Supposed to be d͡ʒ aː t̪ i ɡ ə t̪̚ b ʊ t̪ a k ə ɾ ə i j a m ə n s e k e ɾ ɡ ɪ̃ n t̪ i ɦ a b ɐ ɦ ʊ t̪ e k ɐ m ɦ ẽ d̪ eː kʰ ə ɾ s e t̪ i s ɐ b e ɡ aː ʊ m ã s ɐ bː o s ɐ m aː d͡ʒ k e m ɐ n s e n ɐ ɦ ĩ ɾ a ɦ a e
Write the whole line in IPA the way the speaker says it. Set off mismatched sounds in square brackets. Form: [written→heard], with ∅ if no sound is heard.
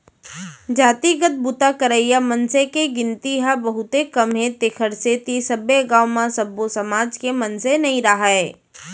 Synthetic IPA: d͡ʒ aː t̪ i ɡ ə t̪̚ b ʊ t̪ a k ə ɾ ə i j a m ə n s e k e [ɾ→∅] ɡ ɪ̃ n t̪ i ɦ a b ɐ ɦ ʊ t̪ e k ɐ m ɦ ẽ [d̪→t̪] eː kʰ ə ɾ s e t̪ i s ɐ b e ɡ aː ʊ m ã s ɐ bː o s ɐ m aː d͡ʒ k e m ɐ n s e n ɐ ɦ ĩ ɾ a ɦ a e

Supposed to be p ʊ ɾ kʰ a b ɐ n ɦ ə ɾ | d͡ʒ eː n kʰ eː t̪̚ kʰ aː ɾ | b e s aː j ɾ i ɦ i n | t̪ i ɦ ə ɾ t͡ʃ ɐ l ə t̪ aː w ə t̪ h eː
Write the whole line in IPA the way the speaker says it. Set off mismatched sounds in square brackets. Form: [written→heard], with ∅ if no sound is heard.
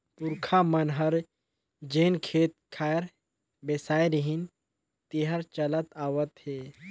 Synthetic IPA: p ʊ ɾ kʰ a [b→m] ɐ n ɦ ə ɾ | d͡ʒ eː n kʰ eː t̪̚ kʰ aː ɾ | b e s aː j ɾ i ɦ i n | t̪ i ɦ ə ɾ t͡ʃ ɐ l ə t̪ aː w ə t̪ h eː

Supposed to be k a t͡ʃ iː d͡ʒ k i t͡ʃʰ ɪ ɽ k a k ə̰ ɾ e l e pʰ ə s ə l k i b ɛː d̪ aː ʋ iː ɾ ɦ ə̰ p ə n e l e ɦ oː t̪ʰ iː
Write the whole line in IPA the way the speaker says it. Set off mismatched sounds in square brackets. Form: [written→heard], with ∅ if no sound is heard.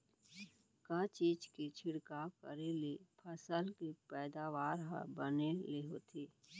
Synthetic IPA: k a t͡ʃ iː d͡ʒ k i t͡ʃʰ ɪ ɽ k a k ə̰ ɾ e l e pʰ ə s ə l k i [b→p] ɛː d̪ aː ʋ [iː→aː] ɾ ɦ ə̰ [p→b] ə n e l e ɦ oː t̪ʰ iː

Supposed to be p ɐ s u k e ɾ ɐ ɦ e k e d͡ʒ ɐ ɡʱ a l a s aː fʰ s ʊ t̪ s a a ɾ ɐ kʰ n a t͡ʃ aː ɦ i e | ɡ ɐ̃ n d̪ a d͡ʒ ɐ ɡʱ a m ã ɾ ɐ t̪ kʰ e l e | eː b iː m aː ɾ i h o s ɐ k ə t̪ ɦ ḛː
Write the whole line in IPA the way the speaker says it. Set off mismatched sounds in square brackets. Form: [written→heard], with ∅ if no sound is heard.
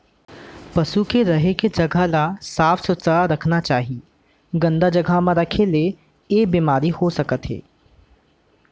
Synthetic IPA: p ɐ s u k e ɾ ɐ ɦ e k e d͡ʒ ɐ ɡʱ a l a s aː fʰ s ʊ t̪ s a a ɾ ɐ kʰ n a t͡ʃ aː ɦ i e | ɡ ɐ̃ n d̪ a d͡ʒ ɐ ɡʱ a m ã ɾ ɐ [t̪→∅] kʰ e l e | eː b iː m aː ɾ i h o s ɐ k ə t̪ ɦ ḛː

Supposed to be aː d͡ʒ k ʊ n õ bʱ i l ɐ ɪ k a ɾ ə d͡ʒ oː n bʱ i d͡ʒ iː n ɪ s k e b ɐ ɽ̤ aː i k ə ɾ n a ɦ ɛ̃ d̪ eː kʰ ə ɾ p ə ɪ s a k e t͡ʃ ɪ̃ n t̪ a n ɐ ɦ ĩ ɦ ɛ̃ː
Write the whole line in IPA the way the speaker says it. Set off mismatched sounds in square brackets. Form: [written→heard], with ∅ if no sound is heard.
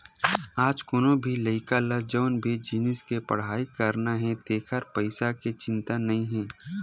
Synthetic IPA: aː d͡ʒ k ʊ n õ bʱ i l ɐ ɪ k a [ɾ→l] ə d͡ʒ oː n bʱ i d͡ʒ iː n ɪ s k e [b→p] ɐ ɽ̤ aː i k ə ɾ n a ɦ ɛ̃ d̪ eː kʰ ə ɾ p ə ɪ s a k e t͡ʃ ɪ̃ n t̪ a n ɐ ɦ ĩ ɦ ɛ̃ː

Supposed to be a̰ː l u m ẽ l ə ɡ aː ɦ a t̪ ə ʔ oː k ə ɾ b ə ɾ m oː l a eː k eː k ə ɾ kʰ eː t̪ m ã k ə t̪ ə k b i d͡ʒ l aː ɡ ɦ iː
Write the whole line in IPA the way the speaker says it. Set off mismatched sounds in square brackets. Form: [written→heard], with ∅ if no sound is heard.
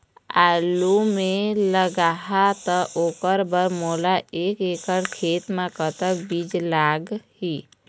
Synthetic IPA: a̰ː l u m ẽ l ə ɡ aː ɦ a t̪ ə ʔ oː k ə ɾ b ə ɾ m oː l a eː k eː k ə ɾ kʰ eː t̪ m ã k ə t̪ ə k b i d͡ʒ l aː ɡ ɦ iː

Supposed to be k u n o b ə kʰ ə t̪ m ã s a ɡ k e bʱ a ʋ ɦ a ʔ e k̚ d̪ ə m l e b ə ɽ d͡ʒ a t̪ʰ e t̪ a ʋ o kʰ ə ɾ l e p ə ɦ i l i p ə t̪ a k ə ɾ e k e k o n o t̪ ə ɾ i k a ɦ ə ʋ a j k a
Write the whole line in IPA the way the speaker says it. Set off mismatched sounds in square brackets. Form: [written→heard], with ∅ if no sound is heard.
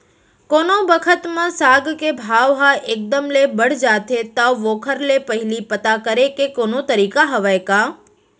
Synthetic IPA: k [u→o] n o b ə kʰ ə t̪ m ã s a ɡ k e bʱ a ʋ ɦ a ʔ e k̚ d̪ ə m l e b ə ɽ d͡ʒ a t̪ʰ e t̪ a ʋ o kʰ ə ɾ l e p ə ɦ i l i p ə t̪ a k ə ɾ e k e k o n o t̪ ə ɾ i k a ɦ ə ʋ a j k a

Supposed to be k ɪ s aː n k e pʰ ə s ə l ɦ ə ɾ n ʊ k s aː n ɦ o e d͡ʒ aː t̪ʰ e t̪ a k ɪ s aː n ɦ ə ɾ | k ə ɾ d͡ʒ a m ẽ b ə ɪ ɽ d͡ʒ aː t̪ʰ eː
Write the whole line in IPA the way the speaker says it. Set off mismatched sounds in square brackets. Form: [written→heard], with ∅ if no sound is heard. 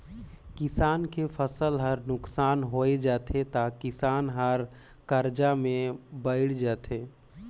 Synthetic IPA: k ɪ s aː n k e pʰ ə s ə l ɦ ə ɾ n ʊ k s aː n ɦ o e d͡ʒ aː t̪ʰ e t̪ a k ɪ s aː n ɦ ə ɾ | k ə ɾ d͡ʒ a m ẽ b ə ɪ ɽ d͡ʒ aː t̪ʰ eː

